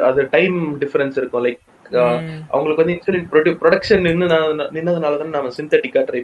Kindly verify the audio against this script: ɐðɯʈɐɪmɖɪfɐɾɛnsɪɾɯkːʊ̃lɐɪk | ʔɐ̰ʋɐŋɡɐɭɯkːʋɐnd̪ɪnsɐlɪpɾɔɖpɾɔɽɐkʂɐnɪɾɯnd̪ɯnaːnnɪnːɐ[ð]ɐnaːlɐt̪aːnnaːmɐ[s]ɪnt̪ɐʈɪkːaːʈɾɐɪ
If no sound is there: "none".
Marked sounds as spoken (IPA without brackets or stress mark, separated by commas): ð, s